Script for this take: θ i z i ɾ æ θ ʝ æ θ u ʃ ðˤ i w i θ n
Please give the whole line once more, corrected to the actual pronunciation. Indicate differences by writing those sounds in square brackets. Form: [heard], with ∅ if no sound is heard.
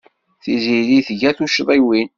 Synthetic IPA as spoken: θ i z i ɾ [i] θ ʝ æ θ u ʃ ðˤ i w i [∅] n